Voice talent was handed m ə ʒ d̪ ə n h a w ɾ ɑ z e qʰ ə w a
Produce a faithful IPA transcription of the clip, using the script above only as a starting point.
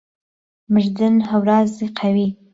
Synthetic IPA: m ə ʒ d̪ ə n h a w ɾ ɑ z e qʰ a w i